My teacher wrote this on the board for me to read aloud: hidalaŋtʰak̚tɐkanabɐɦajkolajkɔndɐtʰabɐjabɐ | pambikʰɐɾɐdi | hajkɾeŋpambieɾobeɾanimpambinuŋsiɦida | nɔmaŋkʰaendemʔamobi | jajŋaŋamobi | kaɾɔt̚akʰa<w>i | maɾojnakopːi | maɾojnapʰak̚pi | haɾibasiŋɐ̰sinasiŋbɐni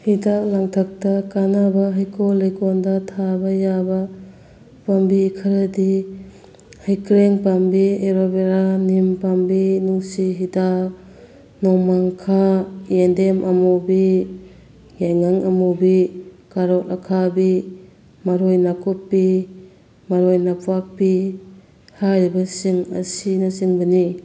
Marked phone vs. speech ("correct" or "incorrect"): incorrect